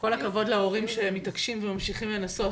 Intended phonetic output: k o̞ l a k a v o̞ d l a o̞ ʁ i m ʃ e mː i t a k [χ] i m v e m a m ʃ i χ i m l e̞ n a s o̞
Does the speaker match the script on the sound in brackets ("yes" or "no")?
no